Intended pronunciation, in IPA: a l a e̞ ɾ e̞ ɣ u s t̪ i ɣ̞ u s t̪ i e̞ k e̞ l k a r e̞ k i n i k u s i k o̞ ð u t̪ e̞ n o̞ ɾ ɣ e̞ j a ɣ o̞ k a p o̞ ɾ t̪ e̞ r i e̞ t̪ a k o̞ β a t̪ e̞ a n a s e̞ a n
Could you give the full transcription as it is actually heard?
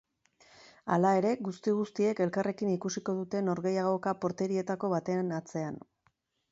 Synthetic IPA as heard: a l a e̞ ɾ e̞ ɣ u s t̪ i ɣ̞ u s t̪ i e̞ k e̞ l k a r e̞ k i n i k u s i k o̞ ð u t̪ e̞ n o̞ ɾ ɣ e̞ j a ɣ o̞ k a p o̞ ɾ t̪ e̞ ɾ i e̞ t̪ a k o̞ β a t̪ e̞ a n a t͡s e̞ a n